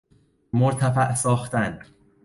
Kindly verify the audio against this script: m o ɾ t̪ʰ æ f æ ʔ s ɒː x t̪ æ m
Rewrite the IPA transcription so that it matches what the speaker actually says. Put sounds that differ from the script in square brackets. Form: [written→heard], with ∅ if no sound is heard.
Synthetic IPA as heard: m o ɾ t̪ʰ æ f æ ʔ s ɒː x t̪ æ [m→n]